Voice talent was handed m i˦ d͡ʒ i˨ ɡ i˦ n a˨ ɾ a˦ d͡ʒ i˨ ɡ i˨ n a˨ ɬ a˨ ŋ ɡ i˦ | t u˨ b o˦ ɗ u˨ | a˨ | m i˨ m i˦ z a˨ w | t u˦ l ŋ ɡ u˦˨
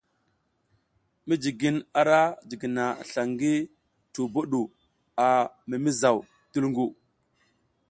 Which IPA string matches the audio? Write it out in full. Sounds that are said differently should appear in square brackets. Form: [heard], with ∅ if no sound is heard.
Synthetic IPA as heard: m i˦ d͡ʒ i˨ ɡ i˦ n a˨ ɾ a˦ d͡ʒ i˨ ɡ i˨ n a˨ ɬ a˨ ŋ ɡ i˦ | t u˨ b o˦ ɗ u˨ | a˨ | m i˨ m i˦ z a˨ w | t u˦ l ŋ ɡ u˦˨